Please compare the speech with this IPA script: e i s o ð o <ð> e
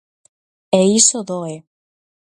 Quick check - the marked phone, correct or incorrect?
incorrect: none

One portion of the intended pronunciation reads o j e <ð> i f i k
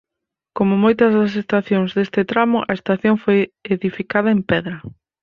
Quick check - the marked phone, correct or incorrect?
correct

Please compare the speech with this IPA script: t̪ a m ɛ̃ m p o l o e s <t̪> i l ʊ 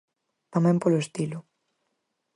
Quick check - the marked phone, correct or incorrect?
correct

